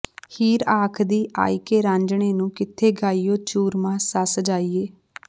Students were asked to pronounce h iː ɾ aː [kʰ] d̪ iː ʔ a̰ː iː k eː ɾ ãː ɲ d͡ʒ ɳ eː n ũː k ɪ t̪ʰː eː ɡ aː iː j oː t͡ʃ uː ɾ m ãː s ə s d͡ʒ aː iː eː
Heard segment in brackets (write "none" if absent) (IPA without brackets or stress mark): kʰ